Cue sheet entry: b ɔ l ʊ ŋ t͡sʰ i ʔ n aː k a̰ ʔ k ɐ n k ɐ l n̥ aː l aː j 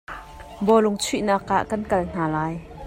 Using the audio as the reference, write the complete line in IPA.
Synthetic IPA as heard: b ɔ l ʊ ŋ t͡sʰ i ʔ n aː k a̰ ʔ k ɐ n k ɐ l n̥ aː l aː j